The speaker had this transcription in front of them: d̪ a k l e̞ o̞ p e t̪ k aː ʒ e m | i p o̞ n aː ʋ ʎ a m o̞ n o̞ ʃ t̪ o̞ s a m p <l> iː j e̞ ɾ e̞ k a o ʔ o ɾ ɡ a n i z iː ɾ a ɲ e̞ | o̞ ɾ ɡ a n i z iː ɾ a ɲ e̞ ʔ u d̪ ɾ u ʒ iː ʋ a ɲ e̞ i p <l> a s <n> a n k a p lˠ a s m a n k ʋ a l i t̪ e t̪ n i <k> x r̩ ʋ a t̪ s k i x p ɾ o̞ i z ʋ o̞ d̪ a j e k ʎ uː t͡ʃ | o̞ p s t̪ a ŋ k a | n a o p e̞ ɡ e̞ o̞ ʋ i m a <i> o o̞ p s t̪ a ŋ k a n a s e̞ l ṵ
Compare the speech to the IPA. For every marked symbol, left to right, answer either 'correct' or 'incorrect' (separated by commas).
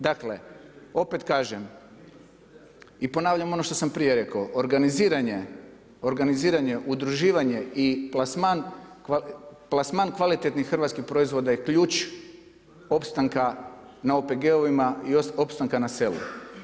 incorrect, correct, incorrect, incorrect, correct